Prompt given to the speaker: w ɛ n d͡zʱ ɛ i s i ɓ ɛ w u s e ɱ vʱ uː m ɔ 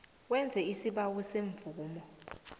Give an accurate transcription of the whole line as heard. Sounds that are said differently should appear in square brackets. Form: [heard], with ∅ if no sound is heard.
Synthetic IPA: w ɛ n d͡zʱ ɛ i s i ɓ [a] w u s e ɱ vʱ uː m ɔ